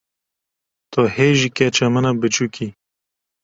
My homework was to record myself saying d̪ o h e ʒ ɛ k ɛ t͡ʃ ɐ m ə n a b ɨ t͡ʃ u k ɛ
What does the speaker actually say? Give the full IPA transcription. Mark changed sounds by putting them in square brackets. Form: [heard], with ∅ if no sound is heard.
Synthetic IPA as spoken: [t̪] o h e ʒ [i] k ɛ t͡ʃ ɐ m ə n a b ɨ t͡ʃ u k [i]